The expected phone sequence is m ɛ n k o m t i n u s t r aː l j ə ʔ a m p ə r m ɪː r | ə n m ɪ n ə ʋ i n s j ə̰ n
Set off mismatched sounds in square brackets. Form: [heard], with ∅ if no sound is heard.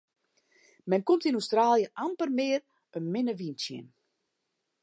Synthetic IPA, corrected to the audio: m ɛ n k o m t i n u s t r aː l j ə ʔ a m p ə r m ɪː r | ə n m ɪ n ə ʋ i n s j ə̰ n